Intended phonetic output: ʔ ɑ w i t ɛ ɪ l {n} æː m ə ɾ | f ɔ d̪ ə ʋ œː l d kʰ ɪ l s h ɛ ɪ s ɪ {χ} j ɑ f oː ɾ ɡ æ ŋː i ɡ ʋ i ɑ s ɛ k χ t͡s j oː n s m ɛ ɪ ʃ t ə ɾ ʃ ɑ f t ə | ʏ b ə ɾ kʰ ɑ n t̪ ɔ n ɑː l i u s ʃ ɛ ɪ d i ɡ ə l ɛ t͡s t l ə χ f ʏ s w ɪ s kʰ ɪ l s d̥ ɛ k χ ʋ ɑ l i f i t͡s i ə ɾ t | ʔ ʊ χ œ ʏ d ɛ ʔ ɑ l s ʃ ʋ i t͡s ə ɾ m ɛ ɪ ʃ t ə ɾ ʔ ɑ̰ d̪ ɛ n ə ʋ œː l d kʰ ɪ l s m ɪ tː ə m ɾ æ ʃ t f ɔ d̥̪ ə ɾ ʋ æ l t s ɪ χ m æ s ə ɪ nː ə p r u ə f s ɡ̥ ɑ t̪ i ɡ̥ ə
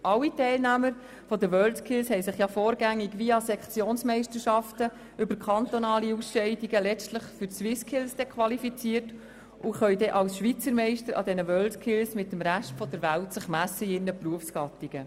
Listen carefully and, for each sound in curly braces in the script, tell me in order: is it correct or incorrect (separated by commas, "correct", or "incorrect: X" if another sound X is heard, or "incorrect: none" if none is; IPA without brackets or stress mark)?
correct, correct